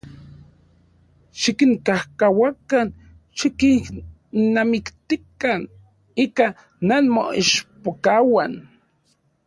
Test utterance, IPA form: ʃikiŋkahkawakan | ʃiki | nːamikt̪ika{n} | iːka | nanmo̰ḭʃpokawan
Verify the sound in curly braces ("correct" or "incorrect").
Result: correct